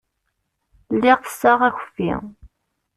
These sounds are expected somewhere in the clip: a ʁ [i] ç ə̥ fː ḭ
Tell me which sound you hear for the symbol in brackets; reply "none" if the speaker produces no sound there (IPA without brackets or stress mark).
æ